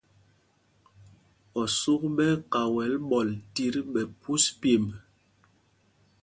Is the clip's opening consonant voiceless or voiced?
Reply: voiceless